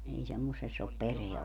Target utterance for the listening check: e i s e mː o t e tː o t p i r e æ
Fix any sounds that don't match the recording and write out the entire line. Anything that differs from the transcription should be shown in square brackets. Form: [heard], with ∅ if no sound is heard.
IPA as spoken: e i s e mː o [s] e [sː] o [p] p [e] r e æ